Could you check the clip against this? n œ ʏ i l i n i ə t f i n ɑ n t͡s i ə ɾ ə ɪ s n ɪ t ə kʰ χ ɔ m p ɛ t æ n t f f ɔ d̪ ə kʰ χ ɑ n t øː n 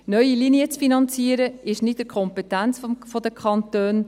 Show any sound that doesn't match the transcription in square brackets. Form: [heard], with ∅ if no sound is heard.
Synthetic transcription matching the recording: n œ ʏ i l i n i ə [t͡s] f i n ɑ n t͡s i ə ɾ ə ɪ [ʃ] n ɪ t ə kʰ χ ɔ m p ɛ t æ n [t͡s] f f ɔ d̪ ə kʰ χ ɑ n t øː n